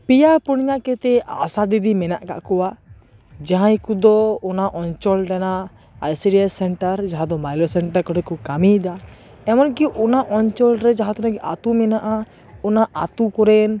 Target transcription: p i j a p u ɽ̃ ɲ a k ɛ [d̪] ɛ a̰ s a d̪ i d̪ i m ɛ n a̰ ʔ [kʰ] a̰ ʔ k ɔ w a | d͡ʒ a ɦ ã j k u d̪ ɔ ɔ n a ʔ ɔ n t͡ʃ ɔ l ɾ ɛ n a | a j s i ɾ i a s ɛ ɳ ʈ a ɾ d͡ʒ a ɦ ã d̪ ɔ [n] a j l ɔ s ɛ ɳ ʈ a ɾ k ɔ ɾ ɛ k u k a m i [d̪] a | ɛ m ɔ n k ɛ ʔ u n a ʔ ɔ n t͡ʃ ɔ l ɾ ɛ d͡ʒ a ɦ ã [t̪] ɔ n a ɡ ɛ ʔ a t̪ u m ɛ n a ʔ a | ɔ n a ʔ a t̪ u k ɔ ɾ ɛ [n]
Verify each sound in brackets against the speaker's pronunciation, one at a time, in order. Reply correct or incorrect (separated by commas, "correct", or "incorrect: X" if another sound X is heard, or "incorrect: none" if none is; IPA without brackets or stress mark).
incorrect: t̪, incorrect: k, incorrect: m, correct, correct, correct